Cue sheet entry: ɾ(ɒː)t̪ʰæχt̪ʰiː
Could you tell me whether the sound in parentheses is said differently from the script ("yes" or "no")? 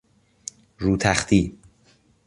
yes